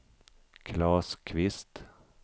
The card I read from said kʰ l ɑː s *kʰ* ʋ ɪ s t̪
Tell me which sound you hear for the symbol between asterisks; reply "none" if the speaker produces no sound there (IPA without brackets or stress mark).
kʰ